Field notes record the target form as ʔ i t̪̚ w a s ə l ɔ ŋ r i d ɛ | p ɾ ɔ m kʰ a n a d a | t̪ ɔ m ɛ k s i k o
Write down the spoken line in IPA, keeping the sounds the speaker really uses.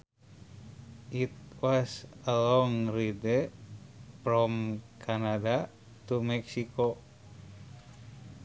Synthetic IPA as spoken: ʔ i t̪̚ w a s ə l ɔ ŋ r i d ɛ | p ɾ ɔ m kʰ a n a d a | t̪ u m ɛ k s i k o